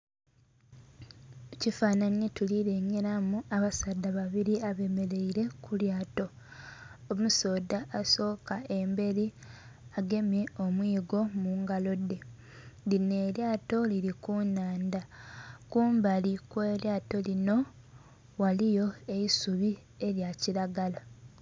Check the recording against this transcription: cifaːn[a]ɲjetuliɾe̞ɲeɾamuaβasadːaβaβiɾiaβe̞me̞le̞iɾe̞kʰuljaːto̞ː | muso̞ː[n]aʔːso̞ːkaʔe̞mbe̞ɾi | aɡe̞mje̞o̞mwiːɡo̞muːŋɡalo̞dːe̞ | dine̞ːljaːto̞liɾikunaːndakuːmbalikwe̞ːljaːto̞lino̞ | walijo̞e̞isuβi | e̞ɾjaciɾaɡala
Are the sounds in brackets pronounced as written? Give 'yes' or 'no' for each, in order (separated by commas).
yes, no